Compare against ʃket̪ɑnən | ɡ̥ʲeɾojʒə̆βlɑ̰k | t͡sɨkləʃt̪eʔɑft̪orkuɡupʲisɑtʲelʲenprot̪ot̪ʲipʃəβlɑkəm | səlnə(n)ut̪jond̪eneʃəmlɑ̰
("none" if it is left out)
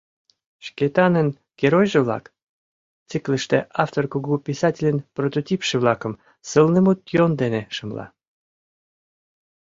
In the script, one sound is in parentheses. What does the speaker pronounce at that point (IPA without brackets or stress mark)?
m